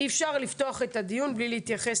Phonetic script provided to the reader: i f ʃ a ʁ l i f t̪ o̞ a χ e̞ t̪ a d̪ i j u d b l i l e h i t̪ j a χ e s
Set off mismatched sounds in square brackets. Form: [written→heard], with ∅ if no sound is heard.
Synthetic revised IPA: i f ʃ a ʁ l i f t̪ o̞ a χ e̞ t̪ a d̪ i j u [d→n] b l i l e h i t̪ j a χ e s